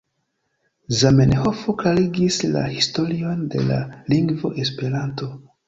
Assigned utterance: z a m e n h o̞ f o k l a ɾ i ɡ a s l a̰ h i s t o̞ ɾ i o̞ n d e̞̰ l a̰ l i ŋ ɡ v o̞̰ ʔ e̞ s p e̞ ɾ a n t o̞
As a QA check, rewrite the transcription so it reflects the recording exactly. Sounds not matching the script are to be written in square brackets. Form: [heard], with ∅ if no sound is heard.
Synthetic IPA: z a m e n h o̞ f o k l a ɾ i ɡ [i] s l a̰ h i s t o̞ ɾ i o̞ n d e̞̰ l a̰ l i ŋ ɡ v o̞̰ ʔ e̞ s p e̞ ɾ a n t o̞